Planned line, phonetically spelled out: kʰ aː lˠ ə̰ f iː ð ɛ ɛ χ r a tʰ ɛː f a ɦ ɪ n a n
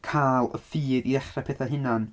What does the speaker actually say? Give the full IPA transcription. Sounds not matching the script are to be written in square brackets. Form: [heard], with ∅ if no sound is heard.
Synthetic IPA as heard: kʰ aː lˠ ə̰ f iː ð [i] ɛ χ r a [pʰ] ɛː [θ] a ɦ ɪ n a n

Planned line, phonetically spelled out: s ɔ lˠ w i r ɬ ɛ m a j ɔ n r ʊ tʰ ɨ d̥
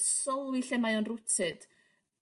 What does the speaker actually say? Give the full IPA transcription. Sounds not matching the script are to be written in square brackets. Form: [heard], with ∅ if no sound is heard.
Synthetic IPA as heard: s ɔ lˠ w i [∅] ɬ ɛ m a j ɔ n r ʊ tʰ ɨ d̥

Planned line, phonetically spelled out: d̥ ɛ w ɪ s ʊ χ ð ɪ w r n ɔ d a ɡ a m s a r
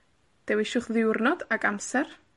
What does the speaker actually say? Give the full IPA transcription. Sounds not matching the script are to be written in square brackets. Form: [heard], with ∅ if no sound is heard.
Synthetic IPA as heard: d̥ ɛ w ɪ [ʃ] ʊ χ ð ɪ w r n ɔ d a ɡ a m s [ɛ] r

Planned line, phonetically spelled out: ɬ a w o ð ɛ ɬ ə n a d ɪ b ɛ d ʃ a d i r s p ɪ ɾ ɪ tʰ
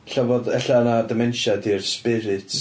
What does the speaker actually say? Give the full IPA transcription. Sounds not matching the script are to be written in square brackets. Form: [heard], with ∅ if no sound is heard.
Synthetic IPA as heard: ɬ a [v] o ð ɛ ɬ [a] n a d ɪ [m] ɛ [n] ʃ a d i r s p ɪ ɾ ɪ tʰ

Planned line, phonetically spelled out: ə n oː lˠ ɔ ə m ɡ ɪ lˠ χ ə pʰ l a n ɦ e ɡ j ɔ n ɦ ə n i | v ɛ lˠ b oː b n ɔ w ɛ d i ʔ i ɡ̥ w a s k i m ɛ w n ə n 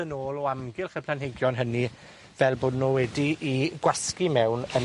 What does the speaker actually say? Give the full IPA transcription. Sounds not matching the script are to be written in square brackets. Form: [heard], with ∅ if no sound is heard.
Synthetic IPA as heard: ə n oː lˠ ɔ [a] m ɡ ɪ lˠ χ ə pʰ l a n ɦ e ɡ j ɔ n ɦ ə n i | v ɛ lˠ b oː [d] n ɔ w ɛ d i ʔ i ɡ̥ w a s k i m ɛ w n ə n

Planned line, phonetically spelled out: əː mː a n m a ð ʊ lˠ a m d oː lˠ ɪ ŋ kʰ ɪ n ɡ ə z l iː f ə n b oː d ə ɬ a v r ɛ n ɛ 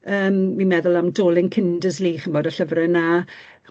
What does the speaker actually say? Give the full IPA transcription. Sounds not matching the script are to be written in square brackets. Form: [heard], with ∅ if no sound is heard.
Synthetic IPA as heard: əː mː [i] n m [ɛ] ð ʊ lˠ a m d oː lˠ ɪ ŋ kʰ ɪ n [d] ə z l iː [χ] ə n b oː d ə ɬ [ə] v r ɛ n [a]

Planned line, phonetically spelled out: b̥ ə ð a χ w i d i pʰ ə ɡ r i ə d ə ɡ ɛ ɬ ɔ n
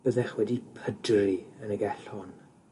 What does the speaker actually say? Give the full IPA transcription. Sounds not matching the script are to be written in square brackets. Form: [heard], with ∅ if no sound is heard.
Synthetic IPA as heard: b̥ ə ð [ɛ] χ w [ɛ] d i pʰ ə [d] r i ə [n] ə ɡ ɛ ɬ ɔ n

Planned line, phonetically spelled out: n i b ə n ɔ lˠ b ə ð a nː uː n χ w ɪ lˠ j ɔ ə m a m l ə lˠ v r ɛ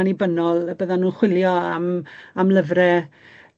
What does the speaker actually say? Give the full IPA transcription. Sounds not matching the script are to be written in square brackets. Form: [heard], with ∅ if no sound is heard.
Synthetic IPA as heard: n i b ə n ɔ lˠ b ə ð a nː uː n χ w ɪ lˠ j ɔ [a] m a m l ə [∅] v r ɛ

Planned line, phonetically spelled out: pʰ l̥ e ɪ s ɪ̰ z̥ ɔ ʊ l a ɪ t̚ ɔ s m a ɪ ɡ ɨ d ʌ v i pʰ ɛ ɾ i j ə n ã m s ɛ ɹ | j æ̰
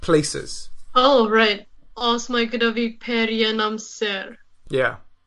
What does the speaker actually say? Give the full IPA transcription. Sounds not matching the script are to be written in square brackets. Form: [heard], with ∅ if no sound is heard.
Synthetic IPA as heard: pʰ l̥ e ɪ s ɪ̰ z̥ [o] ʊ [ɹ] a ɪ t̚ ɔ s m a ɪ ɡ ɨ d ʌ v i pʰ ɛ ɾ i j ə n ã m s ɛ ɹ | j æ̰

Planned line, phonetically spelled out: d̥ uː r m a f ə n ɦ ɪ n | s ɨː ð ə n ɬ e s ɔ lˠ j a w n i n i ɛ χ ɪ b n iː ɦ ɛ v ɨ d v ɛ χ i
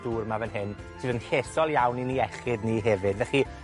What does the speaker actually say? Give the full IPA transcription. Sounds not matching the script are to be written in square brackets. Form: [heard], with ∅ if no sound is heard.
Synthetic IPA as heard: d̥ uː r m a [v] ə n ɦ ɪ n | s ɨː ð ə n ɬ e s ɔ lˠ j a w n i n i ɛ χ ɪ [d] n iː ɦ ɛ v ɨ d v ɛ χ i

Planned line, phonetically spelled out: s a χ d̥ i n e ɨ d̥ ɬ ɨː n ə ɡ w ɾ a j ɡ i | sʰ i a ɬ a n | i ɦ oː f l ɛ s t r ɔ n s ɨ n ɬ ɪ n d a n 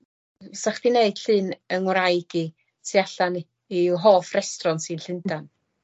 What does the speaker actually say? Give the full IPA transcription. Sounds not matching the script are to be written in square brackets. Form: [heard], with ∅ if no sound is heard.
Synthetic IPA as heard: s a χ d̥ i n e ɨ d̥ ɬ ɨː n ə [ŋ] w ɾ a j ɡ i | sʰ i a ɬ a n | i ɦ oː f [r] ɛ s t r ɔ n s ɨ n ɬ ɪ n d a n

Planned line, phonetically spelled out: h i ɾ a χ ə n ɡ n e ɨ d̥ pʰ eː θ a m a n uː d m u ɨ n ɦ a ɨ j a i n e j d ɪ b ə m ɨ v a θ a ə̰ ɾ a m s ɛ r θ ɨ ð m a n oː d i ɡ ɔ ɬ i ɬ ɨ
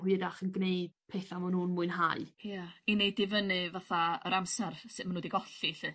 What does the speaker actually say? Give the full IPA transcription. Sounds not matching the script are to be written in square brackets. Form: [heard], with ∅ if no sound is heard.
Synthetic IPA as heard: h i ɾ a χ ə n ɡ n e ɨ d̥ pʰ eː θ a m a n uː [n] m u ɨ n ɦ a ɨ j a i n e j d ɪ [v] ə [n] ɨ v a θ a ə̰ ɾ a m s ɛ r [s] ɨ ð m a n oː d i ɡ ɔ ɬ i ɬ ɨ

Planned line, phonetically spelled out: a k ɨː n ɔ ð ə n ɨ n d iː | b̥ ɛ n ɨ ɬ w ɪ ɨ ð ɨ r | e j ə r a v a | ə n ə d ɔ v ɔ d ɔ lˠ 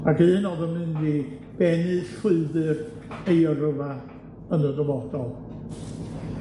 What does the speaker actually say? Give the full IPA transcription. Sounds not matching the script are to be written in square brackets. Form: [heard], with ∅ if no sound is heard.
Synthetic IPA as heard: a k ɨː n ɔ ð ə [m] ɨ n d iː | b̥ ɛ n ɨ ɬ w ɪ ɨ ð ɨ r | e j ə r [ə] v a | ə n ə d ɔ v ɔ d ɔ lˠ

